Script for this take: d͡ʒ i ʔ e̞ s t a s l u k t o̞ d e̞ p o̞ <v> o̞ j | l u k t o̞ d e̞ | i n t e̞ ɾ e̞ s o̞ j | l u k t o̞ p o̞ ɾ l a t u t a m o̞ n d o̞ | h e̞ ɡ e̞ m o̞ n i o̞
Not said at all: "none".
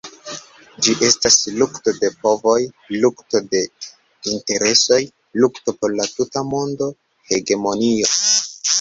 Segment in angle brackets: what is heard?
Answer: v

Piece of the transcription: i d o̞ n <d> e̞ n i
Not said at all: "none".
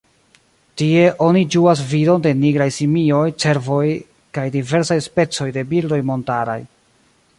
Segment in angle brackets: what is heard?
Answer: d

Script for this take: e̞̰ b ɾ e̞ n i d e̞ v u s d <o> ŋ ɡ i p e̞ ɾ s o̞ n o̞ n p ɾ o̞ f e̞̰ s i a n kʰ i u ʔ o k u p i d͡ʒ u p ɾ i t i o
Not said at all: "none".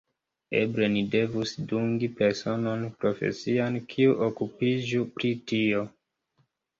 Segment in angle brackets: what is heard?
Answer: u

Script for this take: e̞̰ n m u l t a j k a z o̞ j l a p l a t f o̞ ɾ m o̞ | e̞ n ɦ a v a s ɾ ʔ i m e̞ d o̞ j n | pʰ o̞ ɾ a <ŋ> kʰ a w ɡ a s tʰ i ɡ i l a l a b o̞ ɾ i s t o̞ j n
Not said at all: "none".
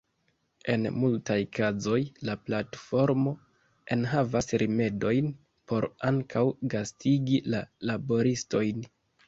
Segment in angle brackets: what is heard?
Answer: ŋ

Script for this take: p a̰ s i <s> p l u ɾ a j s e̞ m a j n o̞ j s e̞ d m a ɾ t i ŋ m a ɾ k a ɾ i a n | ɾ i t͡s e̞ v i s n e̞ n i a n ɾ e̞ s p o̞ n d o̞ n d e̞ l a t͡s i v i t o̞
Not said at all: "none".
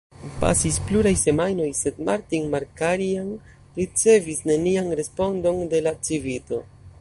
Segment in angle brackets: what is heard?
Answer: s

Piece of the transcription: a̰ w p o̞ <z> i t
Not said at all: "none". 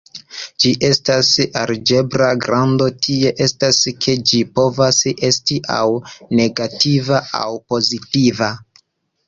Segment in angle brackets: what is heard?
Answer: z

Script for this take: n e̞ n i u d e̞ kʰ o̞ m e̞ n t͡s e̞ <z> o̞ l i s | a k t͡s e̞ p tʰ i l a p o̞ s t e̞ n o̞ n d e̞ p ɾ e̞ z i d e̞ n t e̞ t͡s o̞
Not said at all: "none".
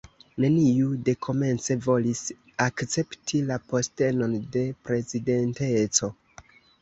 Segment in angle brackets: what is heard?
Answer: v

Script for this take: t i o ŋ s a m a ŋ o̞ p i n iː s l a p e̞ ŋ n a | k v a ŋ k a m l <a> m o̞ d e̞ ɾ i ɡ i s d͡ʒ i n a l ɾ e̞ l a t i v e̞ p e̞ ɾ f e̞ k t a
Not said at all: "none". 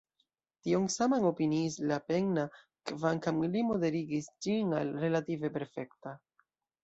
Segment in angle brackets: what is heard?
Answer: i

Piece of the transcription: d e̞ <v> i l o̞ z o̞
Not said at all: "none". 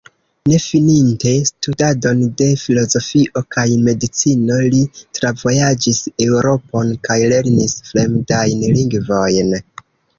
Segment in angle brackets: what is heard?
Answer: f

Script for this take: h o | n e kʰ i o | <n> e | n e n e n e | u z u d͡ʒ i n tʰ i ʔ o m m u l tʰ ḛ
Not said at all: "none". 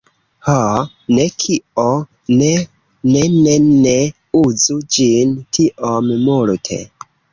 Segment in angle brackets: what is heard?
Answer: n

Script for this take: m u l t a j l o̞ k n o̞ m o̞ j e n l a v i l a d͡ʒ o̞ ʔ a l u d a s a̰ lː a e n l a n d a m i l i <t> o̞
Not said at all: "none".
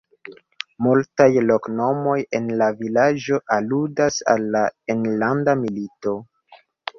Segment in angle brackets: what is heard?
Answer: t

